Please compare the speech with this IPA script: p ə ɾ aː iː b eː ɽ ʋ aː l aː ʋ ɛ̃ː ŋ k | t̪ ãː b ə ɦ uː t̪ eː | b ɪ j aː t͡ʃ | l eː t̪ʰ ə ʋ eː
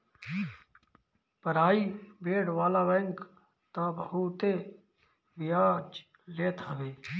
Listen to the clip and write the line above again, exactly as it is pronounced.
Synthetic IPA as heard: p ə ɾ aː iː b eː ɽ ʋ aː l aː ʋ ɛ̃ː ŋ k | t̪ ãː b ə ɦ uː t̪ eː | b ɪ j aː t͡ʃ | l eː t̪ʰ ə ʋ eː